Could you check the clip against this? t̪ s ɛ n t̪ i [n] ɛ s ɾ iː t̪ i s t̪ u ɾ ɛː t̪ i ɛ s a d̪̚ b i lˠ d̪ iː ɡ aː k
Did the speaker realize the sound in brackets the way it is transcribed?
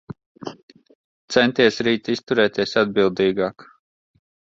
no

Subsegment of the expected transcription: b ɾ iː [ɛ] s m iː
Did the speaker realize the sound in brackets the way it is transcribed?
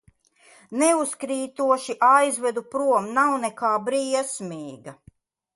yes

